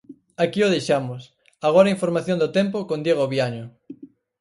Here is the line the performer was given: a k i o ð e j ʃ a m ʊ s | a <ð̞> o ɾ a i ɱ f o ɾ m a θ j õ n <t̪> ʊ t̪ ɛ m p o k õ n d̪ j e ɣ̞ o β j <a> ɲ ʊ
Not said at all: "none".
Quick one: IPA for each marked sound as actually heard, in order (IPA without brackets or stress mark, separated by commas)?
ɣ̞, d̪, a